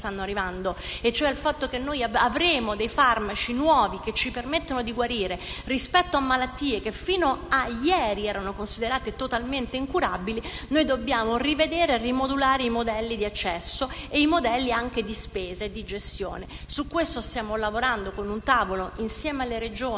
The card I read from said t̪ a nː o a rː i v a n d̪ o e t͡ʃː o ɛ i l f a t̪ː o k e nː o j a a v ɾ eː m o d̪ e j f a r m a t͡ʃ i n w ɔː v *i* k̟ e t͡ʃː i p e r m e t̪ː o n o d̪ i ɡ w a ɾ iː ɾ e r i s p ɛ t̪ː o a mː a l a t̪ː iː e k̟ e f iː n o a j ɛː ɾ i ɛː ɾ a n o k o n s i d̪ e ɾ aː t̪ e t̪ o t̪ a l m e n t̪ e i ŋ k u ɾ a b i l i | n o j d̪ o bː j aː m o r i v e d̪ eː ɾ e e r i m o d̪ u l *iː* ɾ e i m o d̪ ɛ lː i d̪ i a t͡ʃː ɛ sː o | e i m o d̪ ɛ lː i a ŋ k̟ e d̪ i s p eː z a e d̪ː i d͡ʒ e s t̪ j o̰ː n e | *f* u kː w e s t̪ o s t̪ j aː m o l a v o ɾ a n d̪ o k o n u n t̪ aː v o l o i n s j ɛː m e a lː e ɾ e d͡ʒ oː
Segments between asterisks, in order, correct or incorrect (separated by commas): correct, incorrect, incorrect